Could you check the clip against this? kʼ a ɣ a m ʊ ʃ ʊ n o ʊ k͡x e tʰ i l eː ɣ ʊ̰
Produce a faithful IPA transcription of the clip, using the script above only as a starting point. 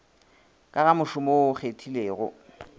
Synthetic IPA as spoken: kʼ a ɣ a m ʊ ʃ ʊ m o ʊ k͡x e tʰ i l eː ɣ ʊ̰